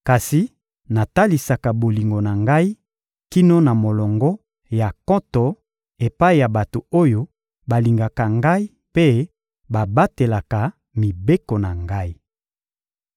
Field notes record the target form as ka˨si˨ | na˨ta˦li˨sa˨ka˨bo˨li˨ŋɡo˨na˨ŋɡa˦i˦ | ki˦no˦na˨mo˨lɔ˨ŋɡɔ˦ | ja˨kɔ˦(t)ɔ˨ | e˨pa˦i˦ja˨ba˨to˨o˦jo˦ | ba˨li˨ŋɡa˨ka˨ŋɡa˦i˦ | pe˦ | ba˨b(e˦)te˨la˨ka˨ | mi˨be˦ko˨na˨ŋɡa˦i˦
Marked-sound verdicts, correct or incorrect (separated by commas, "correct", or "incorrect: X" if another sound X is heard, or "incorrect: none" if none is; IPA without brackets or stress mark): correct, incorrect: a˦